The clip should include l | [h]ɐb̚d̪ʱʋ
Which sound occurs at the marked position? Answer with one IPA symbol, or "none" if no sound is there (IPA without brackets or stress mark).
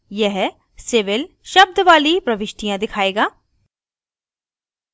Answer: ʃ